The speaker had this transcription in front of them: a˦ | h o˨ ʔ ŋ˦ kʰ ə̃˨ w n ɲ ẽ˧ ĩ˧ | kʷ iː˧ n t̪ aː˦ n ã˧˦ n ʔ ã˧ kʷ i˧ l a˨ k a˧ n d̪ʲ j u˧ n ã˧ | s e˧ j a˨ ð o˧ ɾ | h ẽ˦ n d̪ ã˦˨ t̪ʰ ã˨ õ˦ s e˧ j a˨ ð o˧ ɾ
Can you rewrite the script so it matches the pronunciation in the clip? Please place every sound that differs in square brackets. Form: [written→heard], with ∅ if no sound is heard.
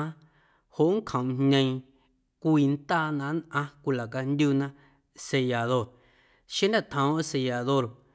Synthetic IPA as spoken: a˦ | h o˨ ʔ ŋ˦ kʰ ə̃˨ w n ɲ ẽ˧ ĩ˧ | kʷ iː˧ n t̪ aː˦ n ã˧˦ n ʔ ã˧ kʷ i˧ l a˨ k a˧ n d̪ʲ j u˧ n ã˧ | s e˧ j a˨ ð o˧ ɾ | [h→ʃ] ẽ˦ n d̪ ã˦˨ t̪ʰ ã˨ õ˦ s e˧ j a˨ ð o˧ ɾ